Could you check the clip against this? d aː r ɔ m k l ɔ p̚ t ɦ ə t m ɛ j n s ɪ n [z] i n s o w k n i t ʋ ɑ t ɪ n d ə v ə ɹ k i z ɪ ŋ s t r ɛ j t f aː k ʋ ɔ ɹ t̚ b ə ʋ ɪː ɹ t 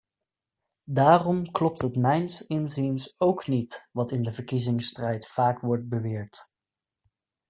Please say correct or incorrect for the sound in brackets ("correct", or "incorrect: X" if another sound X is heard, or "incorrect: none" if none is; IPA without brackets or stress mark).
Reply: correct